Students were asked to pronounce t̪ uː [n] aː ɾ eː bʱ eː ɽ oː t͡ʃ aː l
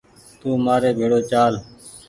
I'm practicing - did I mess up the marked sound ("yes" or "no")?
yes